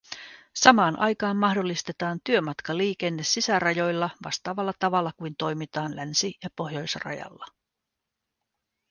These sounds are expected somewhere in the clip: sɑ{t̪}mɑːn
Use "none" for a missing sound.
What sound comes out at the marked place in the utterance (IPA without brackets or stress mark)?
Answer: none